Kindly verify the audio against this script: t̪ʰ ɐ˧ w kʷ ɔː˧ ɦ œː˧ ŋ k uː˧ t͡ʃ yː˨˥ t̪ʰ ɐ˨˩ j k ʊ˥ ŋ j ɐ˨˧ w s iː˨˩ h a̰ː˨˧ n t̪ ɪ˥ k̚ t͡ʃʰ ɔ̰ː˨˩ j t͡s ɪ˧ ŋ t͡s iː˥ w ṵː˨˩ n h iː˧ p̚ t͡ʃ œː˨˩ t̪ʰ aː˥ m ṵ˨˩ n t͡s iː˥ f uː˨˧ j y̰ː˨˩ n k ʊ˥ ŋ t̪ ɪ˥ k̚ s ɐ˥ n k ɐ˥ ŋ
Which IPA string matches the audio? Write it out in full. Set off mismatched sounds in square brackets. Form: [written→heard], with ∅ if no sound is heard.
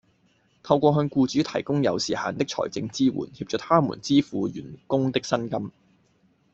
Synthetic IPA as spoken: t̪ʰ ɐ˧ w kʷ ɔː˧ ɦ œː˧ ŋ k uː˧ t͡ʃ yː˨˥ t̪ʰ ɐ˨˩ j k ʊ˥ ŋ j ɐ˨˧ w s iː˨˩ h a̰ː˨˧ n t̪ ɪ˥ k̚ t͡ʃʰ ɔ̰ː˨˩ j t͡s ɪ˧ ŋ t͡s iː˥ w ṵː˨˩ n h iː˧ p̚ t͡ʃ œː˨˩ t̪ʰ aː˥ m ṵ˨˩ n t͡s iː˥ f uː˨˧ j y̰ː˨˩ n k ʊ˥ ŋ t̪ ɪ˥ k̚ s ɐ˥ n k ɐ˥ [ŋ→m]